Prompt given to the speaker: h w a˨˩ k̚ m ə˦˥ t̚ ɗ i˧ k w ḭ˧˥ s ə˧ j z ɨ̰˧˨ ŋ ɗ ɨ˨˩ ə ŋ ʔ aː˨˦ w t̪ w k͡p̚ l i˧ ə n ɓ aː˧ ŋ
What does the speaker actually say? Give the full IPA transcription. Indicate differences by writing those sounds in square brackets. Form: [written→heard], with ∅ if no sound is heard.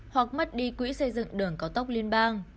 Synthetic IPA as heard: h w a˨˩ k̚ m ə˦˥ t̚ ɗ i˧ k w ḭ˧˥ s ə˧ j z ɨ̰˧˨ ŋ ɗ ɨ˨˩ ə ŋ [ʔ→k] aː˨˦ w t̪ w k͡p̚ l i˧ ə n ɓ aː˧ ŋ